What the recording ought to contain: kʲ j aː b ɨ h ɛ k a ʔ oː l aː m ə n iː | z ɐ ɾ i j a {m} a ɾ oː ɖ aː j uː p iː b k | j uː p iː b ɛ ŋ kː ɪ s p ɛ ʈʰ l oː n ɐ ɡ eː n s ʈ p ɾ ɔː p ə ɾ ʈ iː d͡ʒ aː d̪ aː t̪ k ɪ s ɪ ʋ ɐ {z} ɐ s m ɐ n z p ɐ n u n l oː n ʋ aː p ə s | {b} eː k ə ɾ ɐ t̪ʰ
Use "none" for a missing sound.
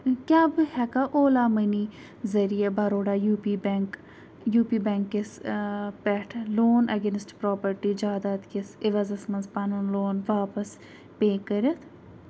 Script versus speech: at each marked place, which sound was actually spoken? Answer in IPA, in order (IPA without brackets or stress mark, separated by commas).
b, z, p